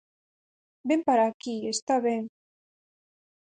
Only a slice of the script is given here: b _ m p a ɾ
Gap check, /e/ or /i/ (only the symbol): e